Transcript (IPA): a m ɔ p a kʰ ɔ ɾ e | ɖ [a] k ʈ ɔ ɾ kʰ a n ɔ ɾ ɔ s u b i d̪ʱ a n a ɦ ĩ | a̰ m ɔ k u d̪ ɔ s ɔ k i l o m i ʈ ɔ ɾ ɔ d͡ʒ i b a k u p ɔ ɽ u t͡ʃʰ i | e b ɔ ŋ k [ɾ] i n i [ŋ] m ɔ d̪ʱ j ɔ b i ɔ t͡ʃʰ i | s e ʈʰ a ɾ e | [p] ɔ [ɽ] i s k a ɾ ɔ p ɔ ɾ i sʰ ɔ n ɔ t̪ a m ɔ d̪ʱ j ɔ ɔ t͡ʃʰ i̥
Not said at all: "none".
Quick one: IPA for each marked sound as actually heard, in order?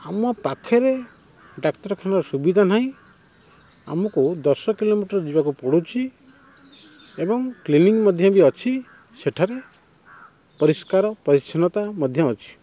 a, l, ŋ, p, ɾ

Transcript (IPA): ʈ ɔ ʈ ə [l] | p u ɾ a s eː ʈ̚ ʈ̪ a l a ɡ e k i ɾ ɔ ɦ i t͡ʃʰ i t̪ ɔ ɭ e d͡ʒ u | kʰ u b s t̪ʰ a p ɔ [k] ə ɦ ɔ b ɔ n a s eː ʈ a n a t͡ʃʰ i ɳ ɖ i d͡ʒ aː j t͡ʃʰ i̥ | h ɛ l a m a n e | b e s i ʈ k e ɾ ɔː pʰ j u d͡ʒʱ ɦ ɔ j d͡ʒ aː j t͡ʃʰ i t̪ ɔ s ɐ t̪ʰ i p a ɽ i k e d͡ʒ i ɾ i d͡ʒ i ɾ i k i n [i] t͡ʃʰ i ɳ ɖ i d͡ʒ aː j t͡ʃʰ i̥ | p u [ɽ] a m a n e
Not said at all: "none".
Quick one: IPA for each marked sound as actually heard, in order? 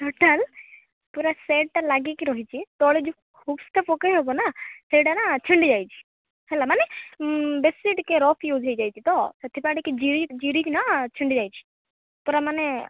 l, k, a, ɾ

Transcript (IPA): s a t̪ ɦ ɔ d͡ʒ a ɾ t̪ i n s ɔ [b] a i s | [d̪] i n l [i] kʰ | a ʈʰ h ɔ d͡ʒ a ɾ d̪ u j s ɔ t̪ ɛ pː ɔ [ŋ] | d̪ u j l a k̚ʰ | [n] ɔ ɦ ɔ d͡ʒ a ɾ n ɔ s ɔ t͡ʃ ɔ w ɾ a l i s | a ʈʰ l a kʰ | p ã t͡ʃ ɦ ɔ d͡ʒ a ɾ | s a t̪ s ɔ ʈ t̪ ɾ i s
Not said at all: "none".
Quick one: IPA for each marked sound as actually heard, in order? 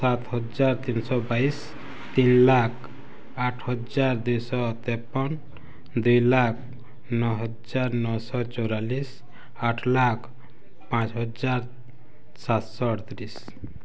b, t̪, a, n, n

